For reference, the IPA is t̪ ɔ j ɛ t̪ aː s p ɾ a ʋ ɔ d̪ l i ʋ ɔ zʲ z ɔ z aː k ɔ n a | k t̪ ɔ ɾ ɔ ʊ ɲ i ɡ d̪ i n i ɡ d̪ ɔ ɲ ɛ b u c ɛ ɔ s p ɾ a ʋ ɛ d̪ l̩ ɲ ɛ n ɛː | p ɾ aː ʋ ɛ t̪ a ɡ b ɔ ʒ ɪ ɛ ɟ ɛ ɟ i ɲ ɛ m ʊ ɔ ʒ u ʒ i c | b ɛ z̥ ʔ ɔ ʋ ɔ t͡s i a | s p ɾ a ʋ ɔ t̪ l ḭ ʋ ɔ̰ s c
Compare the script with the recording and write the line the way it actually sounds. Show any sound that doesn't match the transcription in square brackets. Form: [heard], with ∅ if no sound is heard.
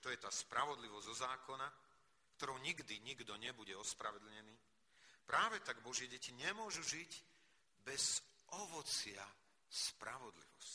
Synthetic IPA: t̪ ɔ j ɛ t̪ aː s p ɾ a ʋ ɔ d̪ l i ʋ ɔ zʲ z ɔ z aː k ɔ n a | k t̪ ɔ ɾ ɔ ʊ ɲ i ɡ d̪ i [ɲ] i ɡ d̪ ɔ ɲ ɛ b u [ɟ] ɛ ɔ s p ɾ a ʋ ɛ d̪ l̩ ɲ ɛ n [iː] | p ɾ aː ʋ ɛ t̪ a ɡ b ɔ ʒ ɪ ɛ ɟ ɛ [c] i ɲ ɛ m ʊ ɔ ʒ u ʒ i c | b ɛ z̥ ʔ ɔ ʋ ɔ t͡s [ɪ] a | s p ɾ a ʋ ɔ [d̪] l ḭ ʋ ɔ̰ s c